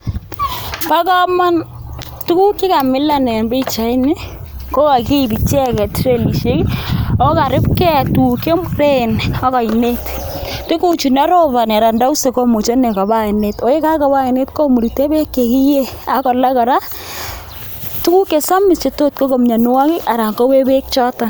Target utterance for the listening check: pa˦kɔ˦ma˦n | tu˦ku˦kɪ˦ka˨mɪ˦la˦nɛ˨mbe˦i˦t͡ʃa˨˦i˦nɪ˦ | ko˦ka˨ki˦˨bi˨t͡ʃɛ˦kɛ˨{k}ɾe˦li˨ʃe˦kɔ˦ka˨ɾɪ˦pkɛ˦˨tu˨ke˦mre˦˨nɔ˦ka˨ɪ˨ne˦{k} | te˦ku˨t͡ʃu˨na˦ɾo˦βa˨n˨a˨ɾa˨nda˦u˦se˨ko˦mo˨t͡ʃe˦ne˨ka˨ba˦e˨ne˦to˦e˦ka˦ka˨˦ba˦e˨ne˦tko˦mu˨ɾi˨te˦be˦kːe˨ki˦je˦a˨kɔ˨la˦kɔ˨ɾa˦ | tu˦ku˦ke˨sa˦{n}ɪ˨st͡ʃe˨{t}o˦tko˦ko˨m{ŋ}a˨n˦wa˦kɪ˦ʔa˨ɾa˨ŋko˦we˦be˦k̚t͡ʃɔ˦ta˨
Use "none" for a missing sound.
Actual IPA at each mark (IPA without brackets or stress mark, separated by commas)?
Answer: t, t, m, t, ɲ